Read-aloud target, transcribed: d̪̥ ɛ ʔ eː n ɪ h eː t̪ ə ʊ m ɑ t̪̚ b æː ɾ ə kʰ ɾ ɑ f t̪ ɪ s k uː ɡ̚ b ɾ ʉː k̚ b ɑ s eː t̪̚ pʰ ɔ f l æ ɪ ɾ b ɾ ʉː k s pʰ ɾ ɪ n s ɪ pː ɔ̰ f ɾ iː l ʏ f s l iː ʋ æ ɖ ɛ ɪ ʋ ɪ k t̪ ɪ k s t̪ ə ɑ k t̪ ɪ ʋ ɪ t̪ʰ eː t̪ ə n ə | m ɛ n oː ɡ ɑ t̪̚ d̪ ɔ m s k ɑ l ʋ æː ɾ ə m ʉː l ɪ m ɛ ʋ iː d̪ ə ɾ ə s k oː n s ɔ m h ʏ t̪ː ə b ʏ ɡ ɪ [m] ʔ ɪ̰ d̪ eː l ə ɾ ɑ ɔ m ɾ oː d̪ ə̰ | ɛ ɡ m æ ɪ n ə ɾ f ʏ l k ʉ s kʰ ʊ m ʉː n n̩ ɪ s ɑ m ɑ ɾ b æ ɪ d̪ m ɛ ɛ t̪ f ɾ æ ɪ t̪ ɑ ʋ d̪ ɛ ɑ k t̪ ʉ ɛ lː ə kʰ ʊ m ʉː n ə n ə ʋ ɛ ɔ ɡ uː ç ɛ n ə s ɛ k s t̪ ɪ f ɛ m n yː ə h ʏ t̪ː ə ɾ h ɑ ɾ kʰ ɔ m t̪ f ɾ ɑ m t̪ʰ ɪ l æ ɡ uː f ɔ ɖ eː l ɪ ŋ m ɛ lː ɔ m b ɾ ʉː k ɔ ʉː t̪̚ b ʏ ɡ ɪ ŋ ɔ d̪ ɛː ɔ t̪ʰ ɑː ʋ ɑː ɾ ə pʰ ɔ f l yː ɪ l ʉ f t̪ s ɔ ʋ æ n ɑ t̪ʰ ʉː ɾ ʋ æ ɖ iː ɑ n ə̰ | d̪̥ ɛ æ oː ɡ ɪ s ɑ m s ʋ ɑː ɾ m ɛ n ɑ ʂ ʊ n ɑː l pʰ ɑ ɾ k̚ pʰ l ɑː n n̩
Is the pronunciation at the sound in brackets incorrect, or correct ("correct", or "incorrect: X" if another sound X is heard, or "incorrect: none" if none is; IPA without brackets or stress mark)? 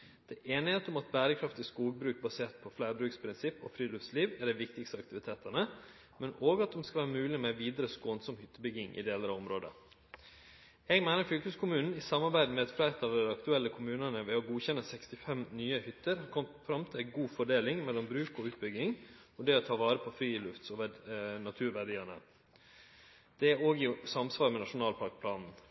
incorrect: ŋ